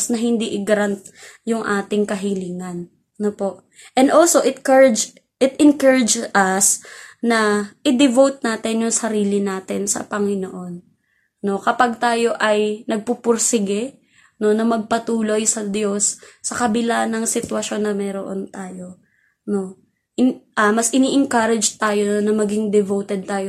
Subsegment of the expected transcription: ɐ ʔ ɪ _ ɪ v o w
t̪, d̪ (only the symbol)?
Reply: d̪